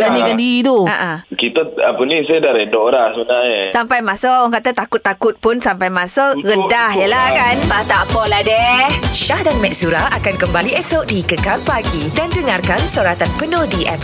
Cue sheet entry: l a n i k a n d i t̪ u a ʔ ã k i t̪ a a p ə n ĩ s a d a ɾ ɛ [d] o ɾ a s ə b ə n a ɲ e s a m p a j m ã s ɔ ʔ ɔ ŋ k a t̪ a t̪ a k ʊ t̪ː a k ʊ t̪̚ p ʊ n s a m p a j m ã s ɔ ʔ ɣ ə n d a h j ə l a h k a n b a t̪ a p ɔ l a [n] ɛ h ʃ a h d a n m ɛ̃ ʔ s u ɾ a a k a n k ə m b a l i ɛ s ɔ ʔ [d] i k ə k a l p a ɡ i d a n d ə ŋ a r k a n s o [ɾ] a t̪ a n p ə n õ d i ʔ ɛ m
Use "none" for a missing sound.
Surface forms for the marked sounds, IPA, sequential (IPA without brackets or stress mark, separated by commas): d, d, d, ɾ